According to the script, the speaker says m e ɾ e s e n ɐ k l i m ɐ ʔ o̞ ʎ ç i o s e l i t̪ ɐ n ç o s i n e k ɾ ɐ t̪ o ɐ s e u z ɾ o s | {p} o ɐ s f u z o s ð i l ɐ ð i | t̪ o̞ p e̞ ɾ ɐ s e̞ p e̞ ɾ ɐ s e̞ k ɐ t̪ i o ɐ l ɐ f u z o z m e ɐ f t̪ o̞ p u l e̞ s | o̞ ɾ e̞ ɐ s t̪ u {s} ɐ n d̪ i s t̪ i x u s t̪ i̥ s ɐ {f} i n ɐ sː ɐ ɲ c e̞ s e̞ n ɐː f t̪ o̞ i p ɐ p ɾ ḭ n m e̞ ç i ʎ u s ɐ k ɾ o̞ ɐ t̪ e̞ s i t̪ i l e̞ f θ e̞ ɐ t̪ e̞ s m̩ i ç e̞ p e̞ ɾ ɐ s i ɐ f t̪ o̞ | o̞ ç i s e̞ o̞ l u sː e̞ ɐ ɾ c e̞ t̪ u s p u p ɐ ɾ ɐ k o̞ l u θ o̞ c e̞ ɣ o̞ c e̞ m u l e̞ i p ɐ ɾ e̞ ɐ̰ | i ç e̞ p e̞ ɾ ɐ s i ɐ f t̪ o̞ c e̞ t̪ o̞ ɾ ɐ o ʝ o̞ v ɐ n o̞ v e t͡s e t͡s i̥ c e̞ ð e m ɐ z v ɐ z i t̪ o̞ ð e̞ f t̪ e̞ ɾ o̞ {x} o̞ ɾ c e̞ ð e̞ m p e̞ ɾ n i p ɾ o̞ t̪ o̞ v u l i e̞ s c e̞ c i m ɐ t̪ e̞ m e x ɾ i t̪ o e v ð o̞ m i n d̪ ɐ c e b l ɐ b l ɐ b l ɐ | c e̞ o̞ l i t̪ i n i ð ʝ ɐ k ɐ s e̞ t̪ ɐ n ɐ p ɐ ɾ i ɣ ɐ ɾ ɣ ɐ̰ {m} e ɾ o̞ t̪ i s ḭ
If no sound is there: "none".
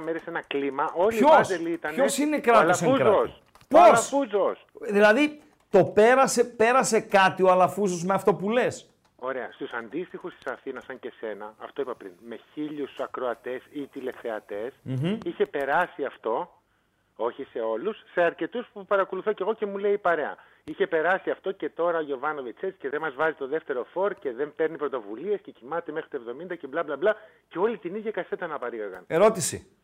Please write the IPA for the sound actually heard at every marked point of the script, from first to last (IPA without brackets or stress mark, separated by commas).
p, s, θ, f, n